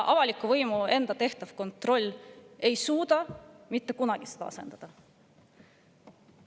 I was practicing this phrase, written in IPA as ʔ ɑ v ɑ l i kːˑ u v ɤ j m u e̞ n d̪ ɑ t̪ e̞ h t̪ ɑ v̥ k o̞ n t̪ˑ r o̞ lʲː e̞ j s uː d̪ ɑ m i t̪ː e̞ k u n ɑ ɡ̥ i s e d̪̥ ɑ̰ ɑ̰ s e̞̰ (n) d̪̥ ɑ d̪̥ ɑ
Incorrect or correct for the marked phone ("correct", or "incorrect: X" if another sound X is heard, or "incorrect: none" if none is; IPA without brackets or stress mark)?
correct